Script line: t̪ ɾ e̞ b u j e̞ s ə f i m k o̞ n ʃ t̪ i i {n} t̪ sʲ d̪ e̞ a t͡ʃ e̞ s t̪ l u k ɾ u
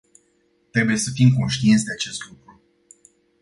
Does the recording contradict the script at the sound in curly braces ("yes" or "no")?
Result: no